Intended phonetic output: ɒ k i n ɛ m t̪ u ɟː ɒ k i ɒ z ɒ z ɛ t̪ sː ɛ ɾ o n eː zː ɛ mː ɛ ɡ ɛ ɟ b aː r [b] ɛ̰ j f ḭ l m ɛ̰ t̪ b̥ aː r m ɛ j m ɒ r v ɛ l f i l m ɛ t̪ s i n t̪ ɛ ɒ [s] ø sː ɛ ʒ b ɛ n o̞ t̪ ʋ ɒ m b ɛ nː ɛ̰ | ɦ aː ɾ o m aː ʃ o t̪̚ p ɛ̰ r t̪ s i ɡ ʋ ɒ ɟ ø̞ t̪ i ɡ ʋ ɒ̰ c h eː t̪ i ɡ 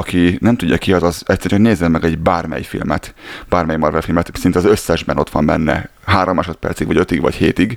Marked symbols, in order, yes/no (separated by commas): no, no